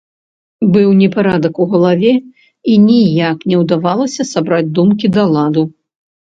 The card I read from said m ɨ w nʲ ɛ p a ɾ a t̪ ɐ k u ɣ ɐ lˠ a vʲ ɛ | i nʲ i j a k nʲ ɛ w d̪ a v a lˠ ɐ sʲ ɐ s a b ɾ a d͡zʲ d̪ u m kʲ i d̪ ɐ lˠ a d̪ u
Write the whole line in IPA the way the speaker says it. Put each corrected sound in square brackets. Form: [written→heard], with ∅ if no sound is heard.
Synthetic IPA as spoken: [m→b] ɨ w nʲ ɛ p a ɾ a [t̪→d̪] ɐ k u ɣ ɐ lˠ a vʲ ɛ | i nʲ i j a k nʲ ɛ w d̪ a v a lˠ ɐ sʲ ɐ s a b ɾ a d͡zʲ d̪ u m kʲ i d̪ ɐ lˠ a d̪ u